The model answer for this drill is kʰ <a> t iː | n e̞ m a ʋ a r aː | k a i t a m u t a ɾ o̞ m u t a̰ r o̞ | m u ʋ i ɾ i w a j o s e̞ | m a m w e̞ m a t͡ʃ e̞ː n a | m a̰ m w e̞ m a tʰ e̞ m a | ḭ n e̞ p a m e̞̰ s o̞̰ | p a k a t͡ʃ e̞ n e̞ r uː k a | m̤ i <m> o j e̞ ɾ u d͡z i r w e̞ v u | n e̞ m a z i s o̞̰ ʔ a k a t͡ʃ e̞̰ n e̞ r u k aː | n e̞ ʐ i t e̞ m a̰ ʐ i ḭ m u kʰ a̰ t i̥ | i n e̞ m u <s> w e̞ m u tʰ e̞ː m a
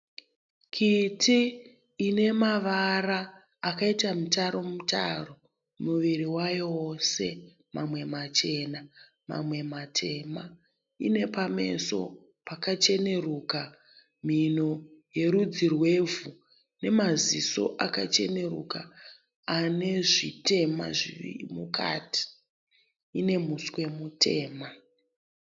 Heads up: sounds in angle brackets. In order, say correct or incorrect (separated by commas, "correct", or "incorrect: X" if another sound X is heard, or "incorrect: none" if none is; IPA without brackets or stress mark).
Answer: incorrect: i, incorrect: n, correct